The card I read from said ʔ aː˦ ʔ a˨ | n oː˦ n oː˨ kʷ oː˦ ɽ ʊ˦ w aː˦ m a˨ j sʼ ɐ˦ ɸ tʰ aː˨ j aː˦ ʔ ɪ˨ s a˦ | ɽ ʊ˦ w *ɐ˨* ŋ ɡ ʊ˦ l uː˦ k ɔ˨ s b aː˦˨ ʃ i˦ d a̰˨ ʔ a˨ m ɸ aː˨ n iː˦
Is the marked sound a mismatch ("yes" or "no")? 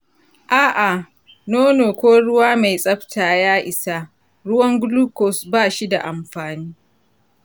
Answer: yes